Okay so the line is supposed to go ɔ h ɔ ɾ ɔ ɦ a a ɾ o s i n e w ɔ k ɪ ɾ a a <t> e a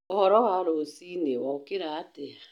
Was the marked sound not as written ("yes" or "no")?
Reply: no